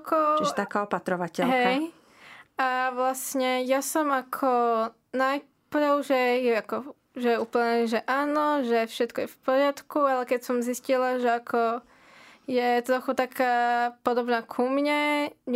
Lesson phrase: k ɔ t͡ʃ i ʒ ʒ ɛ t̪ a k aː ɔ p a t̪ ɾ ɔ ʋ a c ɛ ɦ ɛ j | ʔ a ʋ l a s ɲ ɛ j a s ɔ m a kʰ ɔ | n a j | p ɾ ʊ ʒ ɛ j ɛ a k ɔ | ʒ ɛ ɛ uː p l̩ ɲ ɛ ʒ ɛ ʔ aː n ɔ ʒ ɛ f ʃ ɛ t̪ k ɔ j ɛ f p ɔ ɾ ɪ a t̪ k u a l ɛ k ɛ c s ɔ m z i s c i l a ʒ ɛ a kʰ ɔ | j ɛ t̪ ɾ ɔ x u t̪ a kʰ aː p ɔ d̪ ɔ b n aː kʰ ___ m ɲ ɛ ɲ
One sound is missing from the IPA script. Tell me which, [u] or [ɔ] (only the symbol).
u